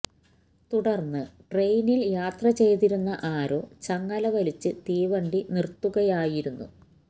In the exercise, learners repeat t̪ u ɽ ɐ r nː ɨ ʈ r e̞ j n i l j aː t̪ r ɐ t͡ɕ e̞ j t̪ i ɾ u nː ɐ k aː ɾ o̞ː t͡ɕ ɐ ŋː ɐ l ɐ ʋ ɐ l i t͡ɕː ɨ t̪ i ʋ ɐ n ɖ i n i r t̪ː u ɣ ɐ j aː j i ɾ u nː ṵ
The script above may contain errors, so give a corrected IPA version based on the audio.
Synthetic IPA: t̪ u ɽ ɐ r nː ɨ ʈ r e̞ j n i l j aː t̪ r ɐ t͡ɕ e̞ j t̪ i ɾ u nː ɐ ʔ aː ɾ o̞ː t͡ɕ ɐ ŋː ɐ l ɐ ʋ ɐ l i t͡ɕː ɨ t̪ iː ʋ ɐ ɳ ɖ i n i r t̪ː u ɣ ɐ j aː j i ɾ u nː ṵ

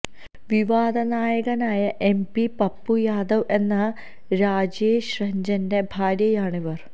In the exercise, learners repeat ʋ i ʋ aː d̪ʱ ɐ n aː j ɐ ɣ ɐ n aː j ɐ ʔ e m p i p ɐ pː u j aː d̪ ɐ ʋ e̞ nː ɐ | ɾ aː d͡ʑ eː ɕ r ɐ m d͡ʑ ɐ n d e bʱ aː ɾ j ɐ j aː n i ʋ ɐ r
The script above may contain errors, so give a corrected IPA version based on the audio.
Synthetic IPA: ʋ i ʋ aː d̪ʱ ɐ n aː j ɐ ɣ ɐ n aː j ɐ ʔ e m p i p ɐ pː u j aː d̪ ɐ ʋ e̞ nː ɐ | ɾ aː d͡ʑ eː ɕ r ɐ ɲ d͡ʑ ɐ n d e bʱ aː ɾ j ɐ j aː ɳ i ʋ ɐ r

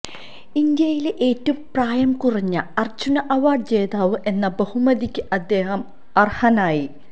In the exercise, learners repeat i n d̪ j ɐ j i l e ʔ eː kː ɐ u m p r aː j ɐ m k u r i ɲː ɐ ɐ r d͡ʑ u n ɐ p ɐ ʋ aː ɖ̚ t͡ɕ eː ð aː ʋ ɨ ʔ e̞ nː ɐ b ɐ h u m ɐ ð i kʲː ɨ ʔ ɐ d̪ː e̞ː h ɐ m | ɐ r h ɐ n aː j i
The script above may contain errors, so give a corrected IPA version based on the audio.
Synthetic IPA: i n d̪ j ɐ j i l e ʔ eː tː ɐ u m p r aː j ɐ m k u r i ɲː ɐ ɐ r d͡ʑ u n ɐ ʔ ɐ ʋ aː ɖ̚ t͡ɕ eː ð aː ʋ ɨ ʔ e̞ nː ɐ b ɐ h u m ɐ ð i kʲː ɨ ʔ ɐ d̪ː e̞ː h ɐ m | ɐ r h ɐ n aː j i

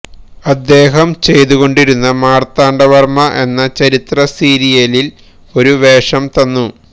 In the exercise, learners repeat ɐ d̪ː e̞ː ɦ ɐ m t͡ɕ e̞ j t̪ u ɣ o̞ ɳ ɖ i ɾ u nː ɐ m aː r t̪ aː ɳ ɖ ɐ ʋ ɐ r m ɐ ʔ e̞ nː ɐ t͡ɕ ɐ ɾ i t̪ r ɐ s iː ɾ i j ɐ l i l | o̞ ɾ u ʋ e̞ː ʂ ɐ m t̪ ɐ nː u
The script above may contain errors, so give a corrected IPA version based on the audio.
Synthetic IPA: ɐ d̪ː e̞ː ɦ ɐ m t͡ɕ e̞ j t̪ u ɣ o̞ ɳ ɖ i ɾ u nː ɐ m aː r t̪ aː ɳ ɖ ɐ ʋ ɐ r m ɐ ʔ e̞ nː ɐ t͡ɕ ɐ ɾ i t̪ r ɐ s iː ɾ i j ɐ l i l | o̞ ɾ u ʋ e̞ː ʂ ɐ m t̪ ɐ nː u

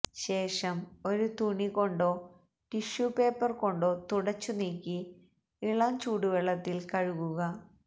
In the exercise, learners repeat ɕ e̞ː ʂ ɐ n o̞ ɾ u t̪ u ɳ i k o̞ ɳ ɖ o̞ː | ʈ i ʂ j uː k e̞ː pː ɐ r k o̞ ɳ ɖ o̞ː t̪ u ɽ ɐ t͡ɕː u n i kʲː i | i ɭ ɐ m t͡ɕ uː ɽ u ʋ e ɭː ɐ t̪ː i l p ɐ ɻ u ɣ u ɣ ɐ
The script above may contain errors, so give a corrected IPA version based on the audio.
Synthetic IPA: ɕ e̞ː ʂ ɐ m o̞ ɾ u t̪ u ɳ i k o̞ ɳ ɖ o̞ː | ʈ i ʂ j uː p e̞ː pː ɐ r k o̞ ɳ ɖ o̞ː t̪ u ɽ ɐ t͡ɕː u n iː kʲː i | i ɭ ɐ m t͡ɕ uː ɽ u ʋ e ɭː ɐ t̪ː i l k ɐ ɻ u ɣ u ɣ ɐ

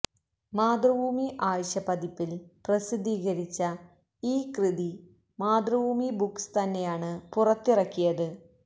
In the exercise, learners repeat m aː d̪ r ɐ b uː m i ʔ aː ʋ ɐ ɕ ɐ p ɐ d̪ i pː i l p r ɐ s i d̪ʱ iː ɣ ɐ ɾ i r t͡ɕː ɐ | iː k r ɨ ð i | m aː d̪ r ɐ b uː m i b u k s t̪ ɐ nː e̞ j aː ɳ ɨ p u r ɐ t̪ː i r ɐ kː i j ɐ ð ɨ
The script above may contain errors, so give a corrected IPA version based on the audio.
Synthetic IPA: m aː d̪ r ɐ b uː m i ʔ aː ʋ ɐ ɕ ɐ p ɐ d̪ i pː i l p r ɐ s i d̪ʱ iː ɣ ɐ ɾ i t͡ɕː ɐ | iː k r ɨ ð i | m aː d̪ r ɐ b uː m i b u k s t̪ ɐ nː e̞ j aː ɳ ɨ p u r ɐ t̪ː i r ɐ kː i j ɐ ð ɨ

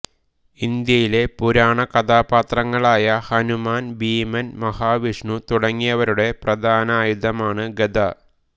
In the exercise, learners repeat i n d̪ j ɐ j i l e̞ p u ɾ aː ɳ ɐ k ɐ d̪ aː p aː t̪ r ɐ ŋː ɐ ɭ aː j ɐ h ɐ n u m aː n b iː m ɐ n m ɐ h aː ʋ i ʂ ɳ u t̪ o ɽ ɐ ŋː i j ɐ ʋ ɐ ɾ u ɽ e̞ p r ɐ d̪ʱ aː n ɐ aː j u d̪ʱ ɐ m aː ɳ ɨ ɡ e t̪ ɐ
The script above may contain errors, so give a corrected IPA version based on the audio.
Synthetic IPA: i n d̪ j ɐ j i l e̞ p u ɾ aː ɳ ɐ k ɐ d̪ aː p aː t̪ r ɐ ŋː ɐ ɭ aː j ɐ h ɐ n u m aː n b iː m ɐ n m ɐ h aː ʋ i ʂ ɳ u t̪ u ɽ ɐ ŋː i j ɐ ʋ ɐ ɾ u ɽ e̞ p r ɐ d̪ʱ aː n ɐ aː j u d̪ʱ ɐ m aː ɳ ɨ ɡ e d̪ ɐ

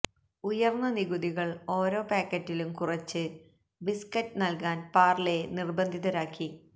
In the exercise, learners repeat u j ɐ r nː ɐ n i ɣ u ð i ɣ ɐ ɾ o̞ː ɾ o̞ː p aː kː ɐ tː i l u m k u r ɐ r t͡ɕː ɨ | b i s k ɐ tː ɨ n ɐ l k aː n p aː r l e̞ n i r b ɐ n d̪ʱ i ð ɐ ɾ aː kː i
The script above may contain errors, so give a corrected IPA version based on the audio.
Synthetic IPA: u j ɐ r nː ɐ n i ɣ u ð i ɣ ɐ ɭ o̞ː ɾ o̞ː p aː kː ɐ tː i l u m k u r ɐ t͡ɕː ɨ | b i s k ɐ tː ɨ n ɐ l k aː n p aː r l e̞ n i r b ɐ n d̪ʱ i ð ɐ ɾ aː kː i

